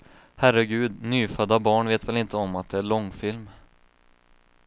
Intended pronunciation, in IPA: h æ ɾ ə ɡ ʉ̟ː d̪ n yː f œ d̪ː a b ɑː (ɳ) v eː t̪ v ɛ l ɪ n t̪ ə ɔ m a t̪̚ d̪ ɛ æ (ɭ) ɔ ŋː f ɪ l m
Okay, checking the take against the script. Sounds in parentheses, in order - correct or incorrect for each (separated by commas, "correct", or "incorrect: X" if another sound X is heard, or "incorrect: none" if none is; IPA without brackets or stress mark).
correct, correct